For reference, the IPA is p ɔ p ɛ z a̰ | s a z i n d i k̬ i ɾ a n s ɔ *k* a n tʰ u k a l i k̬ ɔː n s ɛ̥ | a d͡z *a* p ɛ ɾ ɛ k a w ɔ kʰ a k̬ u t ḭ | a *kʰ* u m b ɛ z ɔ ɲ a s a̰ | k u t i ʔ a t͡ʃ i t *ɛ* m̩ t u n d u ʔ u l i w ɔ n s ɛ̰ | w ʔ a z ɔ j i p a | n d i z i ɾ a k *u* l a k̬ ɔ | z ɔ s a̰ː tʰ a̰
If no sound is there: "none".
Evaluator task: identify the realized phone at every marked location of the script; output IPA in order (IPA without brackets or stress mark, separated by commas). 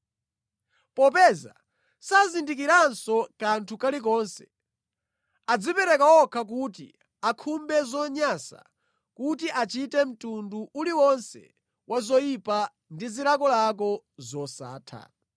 k, i, kʰ, ɛ, ɔ